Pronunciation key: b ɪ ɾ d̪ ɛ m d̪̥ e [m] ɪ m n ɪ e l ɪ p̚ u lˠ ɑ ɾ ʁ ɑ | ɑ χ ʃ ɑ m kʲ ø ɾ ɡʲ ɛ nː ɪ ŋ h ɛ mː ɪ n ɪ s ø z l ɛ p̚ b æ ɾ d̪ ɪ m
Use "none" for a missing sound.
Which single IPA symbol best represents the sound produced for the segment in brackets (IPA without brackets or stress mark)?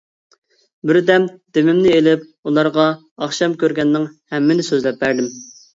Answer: m